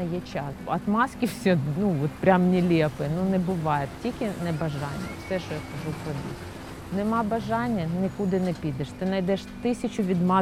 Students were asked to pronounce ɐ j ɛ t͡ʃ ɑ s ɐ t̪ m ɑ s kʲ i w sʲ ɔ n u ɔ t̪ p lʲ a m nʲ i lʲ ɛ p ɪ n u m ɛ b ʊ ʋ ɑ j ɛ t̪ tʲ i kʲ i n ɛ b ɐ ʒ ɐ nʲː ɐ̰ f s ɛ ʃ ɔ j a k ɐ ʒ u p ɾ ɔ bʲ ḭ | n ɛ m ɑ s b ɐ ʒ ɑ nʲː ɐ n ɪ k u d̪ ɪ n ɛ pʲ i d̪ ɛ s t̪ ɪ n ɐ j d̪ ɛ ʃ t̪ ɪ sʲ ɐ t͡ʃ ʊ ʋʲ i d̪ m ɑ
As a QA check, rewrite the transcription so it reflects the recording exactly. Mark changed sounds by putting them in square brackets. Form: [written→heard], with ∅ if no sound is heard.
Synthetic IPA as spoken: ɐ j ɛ t͡ʃ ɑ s ɐ t̪ m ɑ s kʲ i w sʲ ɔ n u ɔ t̪ p [lʲ→ɾʲ] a m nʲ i lʲ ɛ p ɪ n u [m→n] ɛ b ʊ ʋ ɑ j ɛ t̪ tʲ i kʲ [i→ɪ] n ɛ b ɐ ʒ [ɐ→ɑ] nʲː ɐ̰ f s ɛ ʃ ɔ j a k ɐ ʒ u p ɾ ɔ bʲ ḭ | n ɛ m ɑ [s→∅] b ɐ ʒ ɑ nʲː ɐ n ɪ k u d̪ ɪ n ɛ pʲ i d̪ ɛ [s→ʃ] t̪ ɪ n ɐ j d̪ ɛ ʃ t̪ ɪ sʲ ɐ t͡ʃ ʊ ʋʲ i d̪ m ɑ